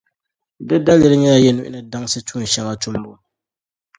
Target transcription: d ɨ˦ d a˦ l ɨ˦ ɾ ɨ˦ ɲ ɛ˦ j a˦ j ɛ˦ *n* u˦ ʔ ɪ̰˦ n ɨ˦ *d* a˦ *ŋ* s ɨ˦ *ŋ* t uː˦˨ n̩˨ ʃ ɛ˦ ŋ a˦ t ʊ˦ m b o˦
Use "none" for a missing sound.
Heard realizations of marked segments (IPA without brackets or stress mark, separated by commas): n, d, ŋ, none